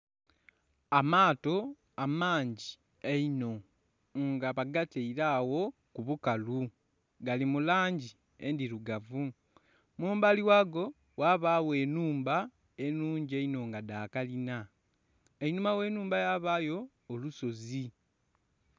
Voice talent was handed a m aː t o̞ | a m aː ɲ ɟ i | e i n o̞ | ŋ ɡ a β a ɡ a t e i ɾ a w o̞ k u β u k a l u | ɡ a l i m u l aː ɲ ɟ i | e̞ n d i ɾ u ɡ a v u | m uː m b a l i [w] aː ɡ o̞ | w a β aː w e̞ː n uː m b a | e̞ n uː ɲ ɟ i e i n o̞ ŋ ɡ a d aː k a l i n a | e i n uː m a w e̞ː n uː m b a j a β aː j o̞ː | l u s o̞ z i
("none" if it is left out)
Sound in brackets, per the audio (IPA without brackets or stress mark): w